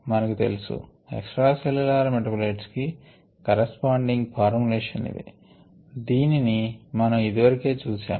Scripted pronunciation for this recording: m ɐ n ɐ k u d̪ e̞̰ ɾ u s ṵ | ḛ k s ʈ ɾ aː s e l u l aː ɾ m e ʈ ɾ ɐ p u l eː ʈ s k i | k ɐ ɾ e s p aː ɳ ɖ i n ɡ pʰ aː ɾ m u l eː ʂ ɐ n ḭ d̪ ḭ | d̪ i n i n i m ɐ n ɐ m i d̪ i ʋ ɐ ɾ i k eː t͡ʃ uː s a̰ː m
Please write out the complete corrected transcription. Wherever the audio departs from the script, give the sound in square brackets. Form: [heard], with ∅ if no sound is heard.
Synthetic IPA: m ɐ n ɐ k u [t̪] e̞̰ [l] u s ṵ | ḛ k s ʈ ɾ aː s e l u l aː ɾ m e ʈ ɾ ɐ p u l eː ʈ s k i | k ɐ ɾ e s p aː ɳ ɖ i [ŋ] ɡ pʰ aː ɾ m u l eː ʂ ɐ n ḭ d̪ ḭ | d̪ [iː] n i n i m ɐ n ɐ m i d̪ i ʋ ɐ ɾ i k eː t͡ʃ uː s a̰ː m

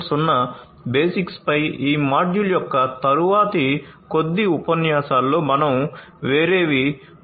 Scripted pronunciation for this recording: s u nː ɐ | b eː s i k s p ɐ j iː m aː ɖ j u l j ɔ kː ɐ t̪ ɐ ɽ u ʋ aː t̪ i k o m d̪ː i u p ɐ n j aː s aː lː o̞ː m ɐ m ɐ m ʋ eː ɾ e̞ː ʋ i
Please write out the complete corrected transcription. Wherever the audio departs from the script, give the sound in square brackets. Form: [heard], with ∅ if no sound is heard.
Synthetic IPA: s u nː ɐ | b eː s i k s p ɐ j iː m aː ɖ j u l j ɔ kː ɐ t̪ ɐ [ɾ] u ʋ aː t̪ i k o [∅] d̪ː i u p ɐ n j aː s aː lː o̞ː m ɐ [n] ɐ m ʋ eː ɾ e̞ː ʋ i

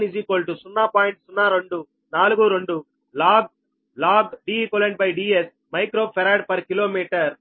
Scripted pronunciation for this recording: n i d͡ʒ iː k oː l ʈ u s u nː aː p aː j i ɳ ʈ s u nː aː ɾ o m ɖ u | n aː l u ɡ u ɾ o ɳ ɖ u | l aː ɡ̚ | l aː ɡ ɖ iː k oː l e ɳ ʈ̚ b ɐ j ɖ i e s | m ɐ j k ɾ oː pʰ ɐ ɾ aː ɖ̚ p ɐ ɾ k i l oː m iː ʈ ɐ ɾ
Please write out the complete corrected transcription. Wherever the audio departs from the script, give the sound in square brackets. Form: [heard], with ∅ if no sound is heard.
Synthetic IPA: n i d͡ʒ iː k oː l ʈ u s u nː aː p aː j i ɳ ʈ s u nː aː ɾ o [ɳ] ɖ u | n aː l u ɡ u ɾ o ɳ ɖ u | l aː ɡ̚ | l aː ɡ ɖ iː k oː l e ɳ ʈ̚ b ɐ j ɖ i e s | m ɐ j k ɾ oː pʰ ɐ ɾ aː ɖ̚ p ɐ ɾ k i l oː m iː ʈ ɐ ɾ

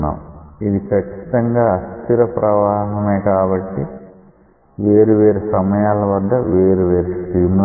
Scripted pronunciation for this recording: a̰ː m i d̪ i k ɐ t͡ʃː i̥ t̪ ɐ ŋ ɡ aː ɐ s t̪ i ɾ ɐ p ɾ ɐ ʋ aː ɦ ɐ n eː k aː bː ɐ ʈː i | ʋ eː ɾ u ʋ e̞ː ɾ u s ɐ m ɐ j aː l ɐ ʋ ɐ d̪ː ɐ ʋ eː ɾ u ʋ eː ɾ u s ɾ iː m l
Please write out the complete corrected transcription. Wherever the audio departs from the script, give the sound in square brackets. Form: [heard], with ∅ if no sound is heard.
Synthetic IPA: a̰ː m i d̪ i k ɐ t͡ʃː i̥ t̪ ɐ ŋ ɡ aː ɐ s t̪ i ɾ ɐ p ɾ ɐ ʋ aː ɦ ɐ [m] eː k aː [b] ɐ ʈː i | ʋ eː ɾ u ʋ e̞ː ɾ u s ɐ m ɐ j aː l ɐ ʋ ɐ d̪ː ɐ ʋ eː ɾ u ʋ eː ɾ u s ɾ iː m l

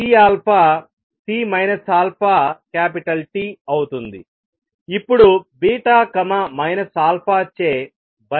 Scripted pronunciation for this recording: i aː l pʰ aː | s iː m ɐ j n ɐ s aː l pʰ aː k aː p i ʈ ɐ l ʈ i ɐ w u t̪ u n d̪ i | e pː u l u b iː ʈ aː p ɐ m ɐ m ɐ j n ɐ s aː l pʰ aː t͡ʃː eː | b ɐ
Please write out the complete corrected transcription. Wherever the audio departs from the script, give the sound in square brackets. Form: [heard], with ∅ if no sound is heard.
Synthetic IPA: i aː l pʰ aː | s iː m ɐ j n ɐ s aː l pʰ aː k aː p i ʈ ɐ l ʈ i ɐ w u t̪ u n d̪ i | [i] pː u [ɽ] u b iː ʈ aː [k] ɐ m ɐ m ɐ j n ɐ s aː l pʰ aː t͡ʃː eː | b ɐ

